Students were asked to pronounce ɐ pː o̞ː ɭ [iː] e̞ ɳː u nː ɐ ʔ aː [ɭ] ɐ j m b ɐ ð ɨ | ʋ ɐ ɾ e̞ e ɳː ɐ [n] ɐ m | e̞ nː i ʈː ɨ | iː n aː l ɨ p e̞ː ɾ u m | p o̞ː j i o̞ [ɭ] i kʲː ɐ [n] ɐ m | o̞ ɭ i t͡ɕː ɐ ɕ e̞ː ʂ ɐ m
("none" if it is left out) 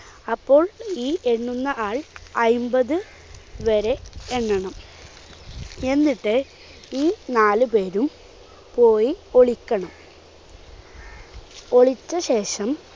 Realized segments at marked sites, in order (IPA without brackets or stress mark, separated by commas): iː, ɭ, ɳ, ɭ, ɳ